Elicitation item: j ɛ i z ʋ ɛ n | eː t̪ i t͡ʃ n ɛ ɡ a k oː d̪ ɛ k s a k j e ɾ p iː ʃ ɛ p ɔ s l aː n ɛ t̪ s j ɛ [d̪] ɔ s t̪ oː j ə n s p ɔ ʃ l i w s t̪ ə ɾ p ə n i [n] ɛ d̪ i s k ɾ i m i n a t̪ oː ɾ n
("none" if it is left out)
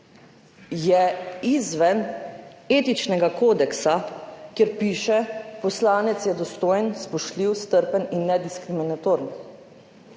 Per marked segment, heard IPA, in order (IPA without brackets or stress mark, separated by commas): d̪, nː